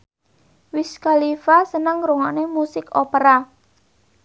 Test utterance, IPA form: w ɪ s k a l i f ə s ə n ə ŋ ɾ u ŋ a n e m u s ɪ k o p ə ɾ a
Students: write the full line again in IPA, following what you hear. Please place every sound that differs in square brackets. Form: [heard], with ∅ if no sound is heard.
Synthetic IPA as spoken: w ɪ s k a l i f [a] s ə n ə ŋ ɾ u ŋ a n e m u s ɪ k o p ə ɾ a

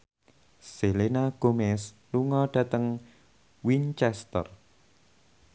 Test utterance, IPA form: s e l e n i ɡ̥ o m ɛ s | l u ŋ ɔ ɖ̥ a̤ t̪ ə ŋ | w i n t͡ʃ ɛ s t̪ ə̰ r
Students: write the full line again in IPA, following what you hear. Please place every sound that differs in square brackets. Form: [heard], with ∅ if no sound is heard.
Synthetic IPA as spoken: s e l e n [a] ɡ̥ o m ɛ s | l u ŋ ɔ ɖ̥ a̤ t̪ ə ŋ | w i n t͡ʃ ɛ s t̪ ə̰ r

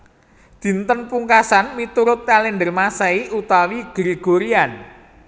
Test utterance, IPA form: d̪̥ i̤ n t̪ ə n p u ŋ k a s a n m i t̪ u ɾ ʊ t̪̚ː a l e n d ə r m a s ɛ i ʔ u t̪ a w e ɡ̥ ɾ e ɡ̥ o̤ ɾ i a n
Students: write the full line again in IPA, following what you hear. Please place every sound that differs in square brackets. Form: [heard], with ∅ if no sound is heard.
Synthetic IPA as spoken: d̪̥ i̤ n t̪ ə n p u ŋ k a s a n m i t̪ u ɾ ʊ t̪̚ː a l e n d ə r m a s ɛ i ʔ u t̪ a w [i] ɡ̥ ɾ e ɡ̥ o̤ ɾ i a n

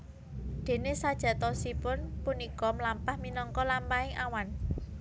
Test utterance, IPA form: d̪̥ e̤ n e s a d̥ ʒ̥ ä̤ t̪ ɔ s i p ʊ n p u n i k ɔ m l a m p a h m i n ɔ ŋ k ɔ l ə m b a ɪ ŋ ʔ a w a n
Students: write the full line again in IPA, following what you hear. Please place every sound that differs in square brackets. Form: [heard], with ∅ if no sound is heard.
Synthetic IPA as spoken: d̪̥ e̤ n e s a d̥ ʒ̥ ä̤ t̪ ɔ s i p ʊ n p u n i k ɔ m l a m p a h m i n ɔ ŋ k ɔ l [a] m [p] a ɪ ŋ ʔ a w a n

